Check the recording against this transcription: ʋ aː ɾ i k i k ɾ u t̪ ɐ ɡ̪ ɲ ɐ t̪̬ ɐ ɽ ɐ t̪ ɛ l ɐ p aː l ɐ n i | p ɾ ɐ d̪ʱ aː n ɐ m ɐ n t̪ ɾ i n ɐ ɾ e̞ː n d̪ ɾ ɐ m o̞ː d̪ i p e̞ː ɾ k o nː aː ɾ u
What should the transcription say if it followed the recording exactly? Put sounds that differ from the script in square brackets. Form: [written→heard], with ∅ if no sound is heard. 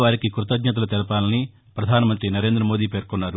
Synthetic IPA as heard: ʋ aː ɾ i k i k ɾ u t̪ ɐ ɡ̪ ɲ ɐ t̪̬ ɐ [ɽ→l] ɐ t̪ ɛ l ɐ p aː l ɐ n i | p ɾ ɐ d̪ʱ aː n ɐ m ɐ n t̪ ɾ i n ɐ ɾ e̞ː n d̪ ɾ ɐ m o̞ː d̪ [i→iː] p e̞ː ɾ k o nː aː ɾ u

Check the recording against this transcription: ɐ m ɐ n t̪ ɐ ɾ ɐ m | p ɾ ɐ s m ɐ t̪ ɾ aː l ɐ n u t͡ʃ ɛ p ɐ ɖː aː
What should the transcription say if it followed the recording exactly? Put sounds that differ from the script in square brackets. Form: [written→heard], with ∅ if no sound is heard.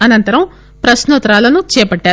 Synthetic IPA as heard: ɐ [m→n] ɐ n t̪ ɐ ɾ ɐ m | p ɾ ɐ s [m→n] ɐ t̪ ɾ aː l ɐ n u t͡ʃ [ɛ→ɛː] p ɐ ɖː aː

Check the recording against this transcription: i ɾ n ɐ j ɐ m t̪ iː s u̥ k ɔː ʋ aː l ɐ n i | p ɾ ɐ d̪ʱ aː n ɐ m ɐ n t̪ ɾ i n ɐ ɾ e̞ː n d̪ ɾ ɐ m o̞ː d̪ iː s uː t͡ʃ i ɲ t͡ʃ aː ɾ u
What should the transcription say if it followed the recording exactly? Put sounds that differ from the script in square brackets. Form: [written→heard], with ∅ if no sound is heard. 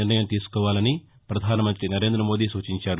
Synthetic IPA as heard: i ɾ n ɐ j ɐ m t̪ iː s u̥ k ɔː ʋ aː l ɐ n i | p ɾ ɐ d̪ʱ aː n ɐ m ɐ n t̪ ɾ i n ɐ ɾ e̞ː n d̪ ɾ ɐ m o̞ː d̪ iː s uː t͡ʃ i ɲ t͡ʃ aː ɾ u

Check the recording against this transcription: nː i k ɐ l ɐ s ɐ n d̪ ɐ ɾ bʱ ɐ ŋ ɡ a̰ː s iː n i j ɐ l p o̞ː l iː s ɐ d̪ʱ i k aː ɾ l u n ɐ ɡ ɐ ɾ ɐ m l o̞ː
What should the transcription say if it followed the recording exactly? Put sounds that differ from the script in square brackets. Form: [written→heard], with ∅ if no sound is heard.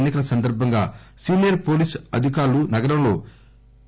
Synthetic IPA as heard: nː i k ɐ l ɐ s ɐ n d̪ ɐ ɾ bʱ ɐ ŋ ɡ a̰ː s iː n i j ɐ [l→ɾ] p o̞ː l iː s ɐ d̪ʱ i k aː ɾ l u n ɐ ɡ ɐ ɾ ɐ m l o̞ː

